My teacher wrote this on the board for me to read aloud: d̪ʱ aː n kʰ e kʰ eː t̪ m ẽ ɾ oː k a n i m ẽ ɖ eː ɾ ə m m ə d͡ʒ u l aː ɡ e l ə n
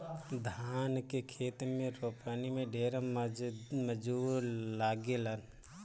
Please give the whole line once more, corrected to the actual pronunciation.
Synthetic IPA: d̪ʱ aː n k e kʰ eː t̪ m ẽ ɾ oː p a n i m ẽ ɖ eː ɾ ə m m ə d͡ʒ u l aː ɡ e l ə n